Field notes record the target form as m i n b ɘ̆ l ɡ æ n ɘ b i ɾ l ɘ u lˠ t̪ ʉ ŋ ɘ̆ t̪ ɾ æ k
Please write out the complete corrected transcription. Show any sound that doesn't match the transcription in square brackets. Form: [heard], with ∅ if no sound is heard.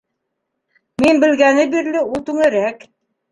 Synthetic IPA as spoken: m i n b ɘ̆ l ɡ æ n ɘ b i ɾ l ɘ u lˠ t̪ ʉ ŋ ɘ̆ [∅] ɾ æ k